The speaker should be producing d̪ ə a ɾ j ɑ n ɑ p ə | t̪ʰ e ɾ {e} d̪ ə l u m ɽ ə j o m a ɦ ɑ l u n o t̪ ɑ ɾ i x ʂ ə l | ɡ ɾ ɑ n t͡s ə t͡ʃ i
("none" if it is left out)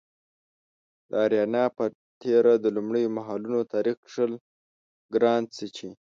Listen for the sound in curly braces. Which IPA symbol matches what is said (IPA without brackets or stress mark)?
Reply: a